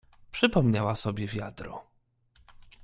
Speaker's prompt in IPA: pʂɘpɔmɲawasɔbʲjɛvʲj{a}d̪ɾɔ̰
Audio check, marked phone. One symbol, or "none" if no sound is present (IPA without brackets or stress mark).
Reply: a